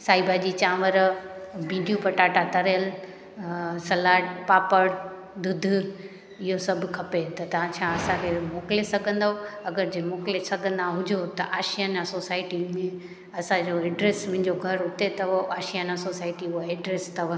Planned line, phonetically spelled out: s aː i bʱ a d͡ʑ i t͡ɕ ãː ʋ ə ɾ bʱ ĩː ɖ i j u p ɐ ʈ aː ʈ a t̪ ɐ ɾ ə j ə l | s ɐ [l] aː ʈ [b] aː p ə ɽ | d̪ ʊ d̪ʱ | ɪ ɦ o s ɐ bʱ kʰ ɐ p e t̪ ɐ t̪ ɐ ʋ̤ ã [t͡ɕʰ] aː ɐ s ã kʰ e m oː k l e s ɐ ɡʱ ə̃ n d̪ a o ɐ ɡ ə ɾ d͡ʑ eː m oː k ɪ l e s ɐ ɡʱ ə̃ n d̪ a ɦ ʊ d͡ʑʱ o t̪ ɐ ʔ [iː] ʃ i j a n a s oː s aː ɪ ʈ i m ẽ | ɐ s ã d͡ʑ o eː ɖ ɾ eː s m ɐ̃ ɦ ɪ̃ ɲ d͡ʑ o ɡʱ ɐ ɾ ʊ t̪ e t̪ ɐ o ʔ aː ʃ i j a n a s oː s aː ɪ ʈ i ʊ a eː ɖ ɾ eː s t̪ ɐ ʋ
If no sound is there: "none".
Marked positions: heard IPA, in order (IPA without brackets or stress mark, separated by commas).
l, p, t͡ɕʰ, aː